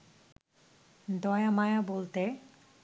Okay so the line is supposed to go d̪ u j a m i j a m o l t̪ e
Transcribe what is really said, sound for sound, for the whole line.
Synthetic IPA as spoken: d̪ ɔ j a m a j a b o l t̪ e